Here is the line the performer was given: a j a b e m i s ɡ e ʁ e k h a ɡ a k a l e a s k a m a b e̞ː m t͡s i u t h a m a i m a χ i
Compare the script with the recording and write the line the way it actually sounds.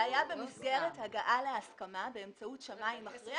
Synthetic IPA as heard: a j a b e m i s ɡ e ʁ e t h a ɡ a ʔ a l e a s k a m a b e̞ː m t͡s a u t ʃ a m a i m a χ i